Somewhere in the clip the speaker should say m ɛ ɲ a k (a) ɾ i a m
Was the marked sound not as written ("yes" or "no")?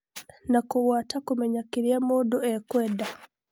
yes